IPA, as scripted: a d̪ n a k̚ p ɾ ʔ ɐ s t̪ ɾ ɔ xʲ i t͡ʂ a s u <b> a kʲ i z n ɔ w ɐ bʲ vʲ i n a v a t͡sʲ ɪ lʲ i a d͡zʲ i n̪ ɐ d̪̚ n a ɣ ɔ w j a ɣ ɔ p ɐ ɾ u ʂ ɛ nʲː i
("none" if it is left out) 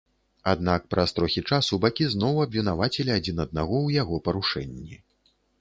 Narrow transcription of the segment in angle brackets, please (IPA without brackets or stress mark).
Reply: b